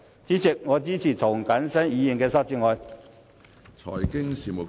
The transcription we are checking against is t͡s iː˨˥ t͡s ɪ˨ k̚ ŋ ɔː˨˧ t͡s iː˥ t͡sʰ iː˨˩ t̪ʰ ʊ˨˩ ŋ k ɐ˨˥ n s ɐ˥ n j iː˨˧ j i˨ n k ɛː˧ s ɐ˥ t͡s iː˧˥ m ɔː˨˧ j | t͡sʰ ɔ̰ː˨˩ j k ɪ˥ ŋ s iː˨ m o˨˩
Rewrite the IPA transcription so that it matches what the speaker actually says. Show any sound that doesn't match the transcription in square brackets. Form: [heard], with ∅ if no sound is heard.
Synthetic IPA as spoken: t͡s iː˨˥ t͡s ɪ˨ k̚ ŋ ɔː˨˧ t͡s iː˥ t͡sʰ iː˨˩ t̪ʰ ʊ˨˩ ŋ k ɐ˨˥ n s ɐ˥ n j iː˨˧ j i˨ n k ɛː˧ s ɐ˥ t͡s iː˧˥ [ŋ] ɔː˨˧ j | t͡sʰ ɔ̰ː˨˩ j k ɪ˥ ŋ s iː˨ m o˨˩